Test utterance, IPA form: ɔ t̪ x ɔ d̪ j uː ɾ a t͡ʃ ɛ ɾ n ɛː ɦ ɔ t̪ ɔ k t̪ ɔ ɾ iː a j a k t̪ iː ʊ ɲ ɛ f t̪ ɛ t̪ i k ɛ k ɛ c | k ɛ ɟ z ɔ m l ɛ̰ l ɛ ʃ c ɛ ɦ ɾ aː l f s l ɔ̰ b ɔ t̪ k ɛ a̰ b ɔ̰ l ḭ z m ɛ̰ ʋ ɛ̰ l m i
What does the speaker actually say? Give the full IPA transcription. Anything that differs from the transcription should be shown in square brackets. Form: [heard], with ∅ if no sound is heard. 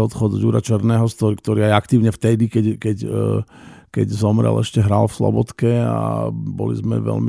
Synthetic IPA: ɔ t̪ x ɔ d̪ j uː ɾ a t͡ʃ ɛ ɾ n ɛː ɦ ɔ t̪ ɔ k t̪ ɔ ɾ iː a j a k t̪ iː ʊ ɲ ɛ f t̪ ɛ [d̪] i k ɛ k ɛ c | k ɛ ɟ z ɔ m [ɾ] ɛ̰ l ɛ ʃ c ɛ ɦ ɾ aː l f s l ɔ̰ b ɔ t̪ k ɛ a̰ b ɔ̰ l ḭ z m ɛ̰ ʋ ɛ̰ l m i